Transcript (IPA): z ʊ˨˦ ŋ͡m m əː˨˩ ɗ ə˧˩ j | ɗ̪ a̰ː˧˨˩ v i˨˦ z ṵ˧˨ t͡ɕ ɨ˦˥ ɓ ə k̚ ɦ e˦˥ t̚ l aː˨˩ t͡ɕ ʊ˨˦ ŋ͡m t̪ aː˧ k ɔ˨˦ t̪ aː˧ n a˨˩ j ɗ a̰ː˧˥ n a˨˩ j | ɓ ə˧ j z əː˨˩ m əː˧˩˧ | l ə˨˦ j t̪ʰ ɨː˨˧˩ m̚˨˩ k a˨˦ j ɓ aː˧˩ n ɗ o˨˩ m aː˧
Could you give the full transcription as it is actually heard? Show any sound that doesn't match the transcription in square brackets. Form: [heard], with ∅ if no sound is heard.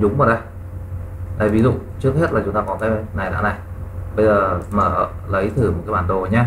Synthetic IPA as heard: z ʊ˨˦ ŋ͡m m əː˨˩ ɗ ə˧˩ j | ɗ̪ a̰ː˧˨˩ v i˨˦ z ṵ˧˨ t͡ɕ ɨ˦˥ [∅] ə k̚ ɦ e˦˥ t̚ l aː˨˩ t͡ɕ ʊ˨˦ ŋ͡m t̪ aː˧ k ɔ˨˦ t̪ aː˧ n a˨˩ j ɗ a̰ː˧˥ n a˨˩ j | ɓ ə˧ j z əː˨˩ m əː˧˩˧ | l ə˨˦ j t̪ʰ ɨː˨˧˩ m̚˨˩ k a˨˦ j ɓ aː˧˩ n ɗ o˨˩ [ɲ] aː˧